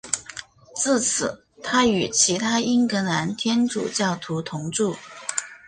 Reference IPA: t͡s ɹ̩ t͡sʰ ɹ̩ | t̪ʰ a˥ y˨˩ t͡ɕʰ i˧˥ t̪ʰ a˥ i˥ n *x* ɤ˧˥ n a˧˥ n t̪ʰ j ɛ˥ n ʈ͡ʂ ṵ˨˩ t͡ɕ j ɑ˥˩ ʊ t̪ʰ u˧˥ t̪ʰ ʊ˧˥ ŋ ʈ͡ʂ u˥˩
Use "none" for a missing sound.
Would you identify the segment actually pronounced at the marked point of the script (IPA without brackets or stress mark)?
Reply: k